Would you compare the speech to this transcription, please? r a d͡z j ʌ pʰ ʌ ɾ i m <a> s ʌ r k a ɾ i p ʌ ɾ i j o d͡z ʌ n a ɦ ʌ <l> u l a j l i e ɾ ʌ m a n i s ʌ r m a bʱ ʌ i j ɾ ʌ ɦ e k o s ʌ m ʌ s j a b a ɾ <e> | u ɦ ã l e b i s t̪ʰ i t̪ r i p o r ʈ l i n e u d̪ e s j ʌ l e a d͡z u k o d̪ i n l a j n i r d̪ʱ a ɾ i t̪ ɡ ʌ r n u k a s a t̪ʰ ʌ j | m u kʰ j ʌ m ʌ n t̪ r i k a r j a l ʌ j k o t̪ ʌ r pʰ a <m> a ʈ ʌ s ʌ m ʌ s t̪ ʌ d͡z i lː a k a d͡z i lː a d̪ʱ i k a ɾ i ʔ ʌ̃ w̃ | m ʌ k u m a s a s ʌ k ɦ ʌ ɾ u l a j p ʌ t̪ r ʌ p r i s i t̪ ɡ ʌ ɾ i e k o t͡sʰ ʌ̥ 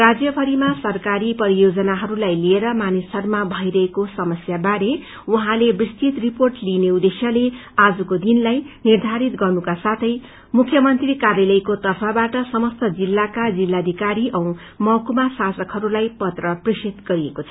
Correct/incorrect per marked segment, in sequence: correct, incorrect: ɾ, correct, incorrect: b

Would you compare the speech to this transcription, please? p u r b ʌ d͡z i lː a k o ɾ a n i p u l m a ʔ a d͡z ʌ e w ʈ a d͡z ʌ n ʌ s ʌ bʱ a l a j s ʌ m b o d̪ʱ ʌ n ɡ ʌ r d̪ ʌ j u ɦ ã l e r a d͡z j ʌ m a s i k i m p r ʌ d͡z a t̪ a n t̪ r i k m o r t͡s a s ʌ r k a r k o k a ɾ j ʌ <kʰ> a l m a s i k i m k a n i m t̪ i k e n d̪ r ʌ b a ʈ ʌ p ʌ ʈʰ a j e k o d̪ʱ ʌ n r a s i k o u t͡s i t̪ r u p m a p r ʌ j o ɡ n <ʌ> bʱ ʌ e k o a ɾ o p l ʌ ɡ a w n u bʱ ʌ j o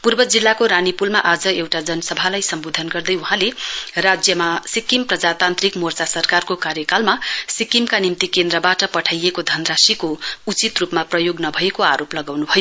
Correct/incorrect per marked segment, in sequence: incorrect: k, correct

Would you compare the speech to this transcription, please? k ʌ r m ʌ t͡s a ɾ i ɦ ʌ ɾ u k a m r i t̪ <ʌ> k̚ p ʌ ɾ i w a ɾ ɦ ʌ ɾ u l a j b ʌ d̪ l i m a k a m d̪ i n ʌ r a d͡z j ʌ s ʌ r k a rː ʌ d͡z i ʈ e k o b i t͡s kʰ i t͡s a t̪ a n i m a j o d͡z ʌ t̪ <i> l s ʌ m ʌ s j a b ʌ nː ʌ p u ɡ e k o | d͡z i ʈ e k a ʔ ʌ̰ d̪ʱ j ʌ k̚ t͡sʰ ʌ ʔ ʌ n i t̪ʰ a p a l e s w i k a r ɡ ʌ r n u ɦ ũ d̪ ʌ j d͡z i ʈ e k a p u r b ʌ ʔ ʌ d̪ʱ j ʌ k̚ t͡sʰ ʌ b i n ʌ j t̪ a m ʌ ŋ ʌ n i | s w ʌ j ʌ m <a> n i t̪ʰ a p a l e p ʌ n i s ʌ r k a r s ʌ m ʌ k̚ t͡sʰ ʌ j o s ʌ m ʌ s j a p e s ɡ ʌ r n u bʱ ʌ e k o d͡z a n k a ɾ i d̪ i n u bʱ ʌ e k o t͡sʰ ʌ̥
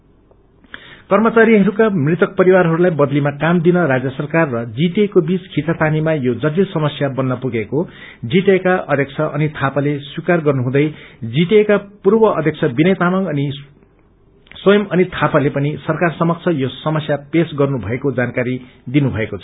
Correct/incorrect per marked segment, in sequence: correct, correct, incorrect: ʌ

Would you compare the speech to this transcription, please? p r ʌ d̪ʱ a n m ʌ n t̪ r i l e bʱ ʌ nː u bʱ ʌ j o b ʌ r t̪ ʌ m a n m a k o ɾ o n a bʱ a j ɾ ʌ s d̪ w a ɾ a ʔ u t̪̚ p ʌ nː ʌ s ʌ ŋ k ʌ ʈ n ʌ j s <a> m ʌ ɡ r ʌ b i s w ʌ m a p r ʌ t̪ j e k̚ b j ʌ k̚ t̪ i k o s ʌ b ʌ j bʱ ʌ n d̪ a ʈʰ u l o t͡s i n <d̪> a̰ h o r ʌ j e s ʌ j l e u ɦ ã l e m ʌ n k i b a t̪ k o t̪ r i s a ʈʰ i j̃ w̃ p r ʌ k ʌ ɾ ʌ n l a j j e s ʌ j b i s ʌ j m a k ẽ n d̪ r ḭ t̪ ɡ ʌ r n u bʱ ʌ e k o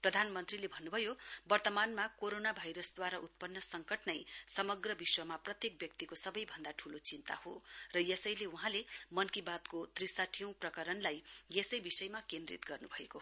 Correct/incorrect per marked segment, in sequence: incorrect: ʌ, incorrect: t̪

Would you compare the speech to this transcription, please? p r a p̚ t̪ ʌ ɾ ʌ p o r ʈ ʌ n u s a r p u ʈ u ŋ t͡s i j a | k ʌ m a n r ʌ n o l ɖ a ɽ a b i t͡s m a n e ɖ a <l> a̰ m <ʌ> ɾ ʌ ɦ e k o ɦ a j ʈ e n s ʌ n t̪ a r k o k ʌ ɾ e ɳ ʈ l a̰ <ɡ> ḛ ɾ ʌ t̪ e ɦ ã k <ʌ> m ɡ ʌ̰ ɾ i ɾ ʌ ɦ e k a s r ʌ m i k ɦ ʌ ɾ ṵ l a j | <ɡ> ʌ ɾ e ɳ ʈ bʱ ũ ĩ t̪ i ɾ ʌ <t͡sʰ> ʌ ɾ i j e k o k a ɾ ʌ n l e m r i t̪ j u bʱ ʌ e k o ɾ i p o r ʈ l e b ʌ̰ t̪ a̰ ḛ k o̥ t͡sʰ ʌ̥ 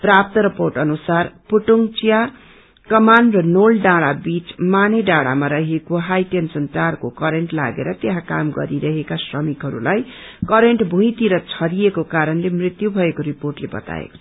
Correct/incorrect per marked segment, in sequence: incorrect: ɽ, incorrect: a, correct, incorrect: a, incorrect: k, correct

